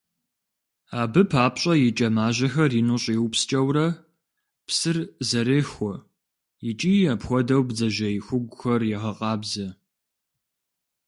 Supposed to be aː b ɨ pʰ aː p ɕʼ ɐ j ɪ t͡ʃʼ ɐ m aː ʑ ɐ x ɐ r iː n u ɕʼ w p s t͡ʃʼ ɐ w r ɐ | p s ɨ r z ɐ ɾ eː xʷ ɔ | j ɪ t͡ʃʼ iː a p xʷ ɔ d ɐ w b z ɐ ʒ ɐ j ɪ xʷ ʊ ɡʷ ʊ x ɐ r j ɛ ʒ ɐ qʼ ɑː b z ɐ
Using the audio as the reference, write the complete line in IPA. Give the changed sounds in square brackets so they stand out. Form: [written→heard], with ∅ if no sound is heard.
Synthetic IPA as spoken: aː b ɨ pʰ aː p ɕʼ ɐ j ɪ t͡ʃʼ ɐ m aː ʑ ɐ x ɐ r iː n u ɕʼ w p s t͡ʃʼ ɐ w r ɐ | p s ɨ r z ɐ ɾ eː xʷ ɔ | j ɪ t͡ʃʼ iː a p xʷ ɔ d ɐ w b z ɐ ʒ ɐ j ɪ xʷ ʊ ɡʷ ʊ x ɐ r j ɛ [ʒ→ʁ] ɐ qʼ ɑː b z ɐ